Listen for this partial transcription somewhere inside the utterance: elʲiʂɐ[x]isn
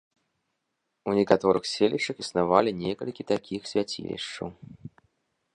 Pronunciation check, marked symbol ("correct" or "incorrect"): correct